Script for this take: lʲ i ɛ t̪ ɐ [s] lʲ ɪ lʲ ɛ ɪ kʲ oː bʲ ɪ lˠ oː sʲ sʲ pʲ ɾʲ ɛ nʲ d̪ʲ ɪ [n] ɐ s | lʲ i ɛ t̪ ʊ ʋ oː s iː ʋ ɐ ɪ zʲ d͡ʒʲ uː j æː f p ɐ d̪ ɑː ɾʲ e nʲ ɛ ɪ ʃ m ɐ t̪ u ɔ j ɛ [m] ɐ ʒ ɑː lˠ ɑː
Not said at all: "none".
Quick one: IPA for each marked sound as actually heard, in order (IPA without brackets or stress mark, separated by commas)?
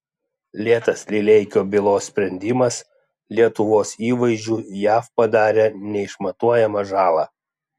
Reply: s, m, m